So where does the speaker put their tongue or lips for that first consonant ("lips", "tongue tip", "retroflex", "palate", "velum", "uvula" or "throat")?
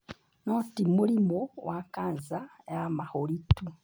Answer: tongue tip